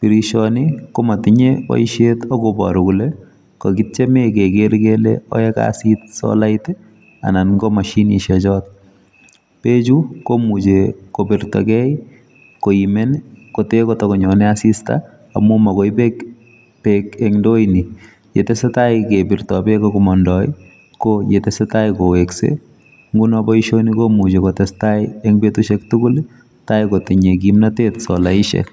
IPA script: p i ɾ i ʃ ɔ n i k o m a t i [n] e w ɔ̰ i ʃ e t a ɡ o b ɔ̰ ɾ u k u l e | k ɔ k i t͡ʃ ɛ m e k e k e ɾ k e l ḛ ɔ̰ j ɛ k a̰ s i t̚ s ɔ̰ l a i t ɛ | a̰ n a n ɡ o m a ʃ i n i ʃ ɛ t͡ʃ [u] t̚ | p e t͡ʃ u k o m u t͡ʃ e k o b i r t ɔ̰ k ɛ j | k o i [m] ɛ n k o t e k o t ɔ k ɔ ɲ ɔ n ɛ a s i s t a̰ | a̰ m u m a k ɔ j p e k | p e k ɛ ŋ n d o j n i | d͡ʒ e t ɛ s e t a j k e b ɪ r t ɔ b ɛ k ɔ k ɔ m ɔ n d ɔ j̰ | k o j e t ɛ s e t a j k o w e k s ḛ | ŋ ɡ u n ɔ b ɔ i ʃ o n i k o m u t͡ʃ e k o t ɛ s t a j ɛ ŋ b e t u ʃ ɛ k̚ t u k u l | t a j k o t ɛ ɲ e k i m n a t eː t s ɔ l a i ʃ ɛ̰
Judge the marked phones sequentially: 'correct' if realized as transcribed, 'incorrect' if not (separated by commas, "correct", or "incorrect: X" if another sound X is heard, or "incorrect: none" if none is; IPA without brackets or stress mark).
incorrect: ɲ, incorrect: ɔ, correct